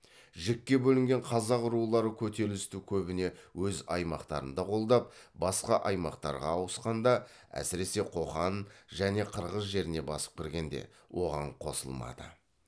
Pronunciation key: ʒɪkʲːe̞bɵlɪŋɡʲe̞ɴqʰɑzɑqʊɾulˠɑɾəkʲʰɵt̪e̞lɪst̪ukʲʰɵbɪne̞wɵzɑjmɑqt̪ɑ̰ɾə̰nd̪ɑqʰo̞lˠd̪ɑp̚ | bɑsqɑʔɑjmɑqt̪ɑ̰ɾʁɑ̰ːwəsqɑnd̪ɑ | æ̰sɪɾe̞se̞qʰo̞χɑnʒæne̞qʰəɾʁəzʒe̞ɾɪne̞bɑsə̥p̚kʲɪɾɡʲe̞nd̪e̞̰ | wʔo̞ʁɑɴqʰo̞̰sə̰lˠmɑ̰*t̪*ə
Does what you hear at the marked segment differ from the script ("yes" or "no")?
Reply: yes